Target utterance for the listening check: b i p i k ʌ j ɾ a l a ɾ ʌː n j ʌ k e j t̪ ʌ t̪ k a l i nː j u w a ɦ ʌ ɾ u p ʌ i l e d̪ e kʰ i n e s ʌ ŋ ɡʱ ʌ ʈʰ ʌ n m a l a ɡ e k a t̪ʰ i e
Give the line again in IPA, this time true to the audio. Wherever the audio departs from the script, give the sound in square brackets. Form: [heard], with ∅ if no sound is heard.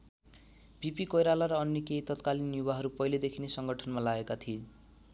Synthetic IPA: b i p i k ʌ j ɾ a l a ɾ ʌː n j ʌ k e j t̪ ʌ t̪ k a l i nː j u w a ɦ ʌ ɾ u p ʌ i l e d̪ e kʰ i n e s ʌ ŋ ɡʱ ʌ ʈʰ ʌ n m a l a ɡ e k a t̪ʰ i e